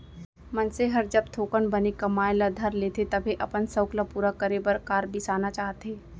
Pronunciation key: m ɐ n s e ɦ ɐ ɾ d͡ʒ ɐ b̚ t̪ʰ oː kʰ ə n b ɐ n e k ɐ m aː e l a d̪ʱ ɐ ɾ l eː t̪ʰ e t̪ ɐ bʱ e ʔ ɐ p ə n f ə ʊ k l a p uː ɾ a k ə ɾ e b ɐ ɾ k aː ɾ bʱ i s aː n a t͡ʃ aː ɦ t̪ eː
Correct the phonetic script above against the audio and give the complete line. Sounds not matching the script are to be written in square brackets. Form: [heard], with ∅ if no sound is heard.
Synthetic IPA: m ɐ n s e ɦ ɐ ɾ d͡ʒ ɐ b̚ t̪ʰ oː [k] ə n b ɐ n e k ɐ m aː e l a d̪ʱ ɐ ɾ l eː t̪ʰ e t̪ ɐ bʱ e ʔ ɐ p ə n [s] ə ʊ k l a p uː ɾ a k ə ɾ e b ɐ ɾ k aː ɾ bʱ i s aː n a t͡ʃ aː ɦ t̪ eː